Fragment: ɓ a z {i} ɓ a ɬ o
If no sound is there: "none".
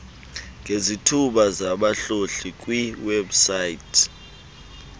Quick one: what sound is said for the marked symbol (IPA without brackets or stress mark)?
a